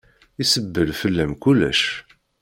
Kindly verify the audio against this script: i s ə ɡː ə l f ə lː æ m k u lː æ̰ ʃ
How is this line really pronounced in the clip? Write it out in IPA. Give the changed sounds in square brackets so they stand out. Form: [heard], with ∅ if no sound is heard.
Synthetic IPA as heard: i s ə [bː] ə l f ə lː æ m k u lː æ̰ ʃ

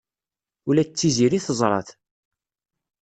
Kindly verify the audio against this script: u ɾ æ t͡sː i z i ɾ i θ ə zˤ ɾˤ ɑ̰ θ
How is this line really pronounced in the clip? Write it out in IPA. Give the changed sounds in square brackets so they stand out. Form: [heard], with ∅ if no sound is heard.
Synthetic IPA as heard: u [l] æ t͡sː i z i ɾ i θ ə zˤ ɾˤ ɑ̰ θ

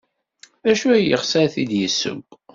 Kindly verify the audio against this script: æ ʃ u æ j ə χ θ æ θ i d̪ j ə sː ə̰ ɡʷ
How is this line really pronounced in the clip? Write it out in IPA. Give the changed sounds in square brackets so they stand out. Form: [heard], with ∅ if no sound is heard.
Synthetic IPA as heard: æ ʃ u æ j ə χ [s] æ θ i d̪ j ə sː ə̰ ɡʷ

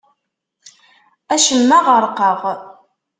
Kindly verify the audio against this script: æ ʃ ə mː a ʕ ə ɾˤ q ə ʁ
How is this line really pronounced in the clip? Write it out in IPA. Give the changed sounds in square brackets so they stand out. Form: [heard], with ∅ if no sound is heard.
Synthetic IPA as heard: æ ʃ ə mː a [ʁ] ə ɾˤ q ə ʁ

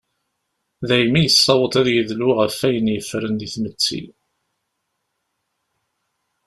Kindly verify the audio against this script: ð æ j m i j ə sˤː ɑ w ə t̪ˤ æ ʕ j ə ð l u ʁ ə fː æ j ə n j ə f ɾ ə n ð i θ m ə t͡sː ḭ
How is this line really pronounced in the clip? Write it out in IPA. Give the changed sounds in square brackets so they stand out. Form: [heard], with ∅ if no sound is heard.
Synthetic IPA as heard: ð æ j m i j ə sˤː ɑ w ə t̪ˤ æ [ð] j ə ð l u ʁ ə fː æ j ə n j ə f ɾ ə n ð i θ m ə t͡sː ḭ

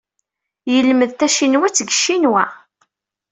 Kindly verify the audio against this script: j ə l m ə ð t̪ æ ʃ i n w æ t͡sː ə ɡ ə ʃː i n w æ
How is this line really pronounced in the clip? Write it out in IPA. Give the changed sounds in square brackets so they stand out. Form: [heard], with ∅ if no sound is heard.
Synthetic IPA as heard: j ə l m ə ð t̪ æ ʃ i n w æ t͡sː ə ɡ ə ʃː i n w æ

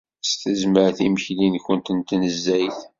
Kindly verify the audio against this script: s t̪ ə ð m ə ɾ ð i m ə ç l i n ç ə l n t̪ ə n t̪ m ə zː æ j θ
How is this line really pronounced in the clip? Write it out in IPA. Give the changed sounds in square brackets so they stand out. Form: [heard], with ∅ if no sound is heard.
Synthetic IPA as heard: s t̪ ə [z] m ə ɾ [θ] i m ə ç l i n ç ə [∅] n t̪ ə n t̪ [n] ə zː æ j θ

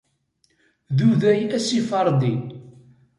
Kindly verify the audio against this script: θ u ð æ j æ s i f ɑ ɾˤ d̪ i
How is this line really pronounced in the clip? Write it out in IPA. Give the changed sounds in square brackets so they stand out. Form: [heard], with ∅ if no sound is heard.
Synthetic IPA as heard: [ð] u ð æ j æ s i f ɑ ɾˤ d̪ i

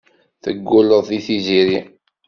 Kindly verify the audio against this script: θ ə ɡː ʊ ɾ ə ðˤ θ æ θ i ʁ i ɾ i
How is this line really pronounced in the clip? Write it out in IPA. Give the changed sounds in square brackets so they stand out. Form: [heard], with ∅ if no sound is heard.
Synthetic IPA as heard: θ ə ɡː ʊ [l] ə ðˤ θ [i] θ i [z] i ɾ i

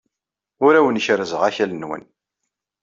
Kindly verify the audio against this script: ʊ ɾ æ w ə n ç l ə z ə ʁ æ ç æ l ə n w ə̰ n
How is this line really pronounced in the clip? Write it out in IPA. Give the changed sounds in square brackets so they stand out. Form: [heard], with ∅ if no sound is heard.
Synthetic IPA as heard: ʊ ɾ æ w ə n ç [ɾ] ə z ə ʁ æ ç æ l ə n w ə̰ n

